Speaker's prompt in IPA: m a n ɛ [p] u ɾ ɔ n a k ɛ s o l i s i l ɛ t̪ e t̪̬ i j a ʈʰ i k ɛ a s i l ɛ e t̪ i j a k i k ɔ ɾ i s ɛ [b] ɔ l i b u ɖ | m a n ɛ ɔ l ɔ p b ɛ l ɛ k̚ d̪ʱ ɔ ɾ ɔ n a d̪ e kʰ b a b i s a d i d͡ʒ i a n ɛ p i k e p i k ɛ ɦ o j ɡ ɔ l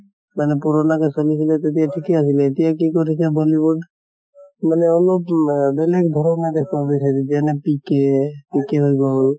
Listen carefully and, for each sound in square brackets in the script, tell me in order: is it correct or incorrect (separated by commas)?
correct, correct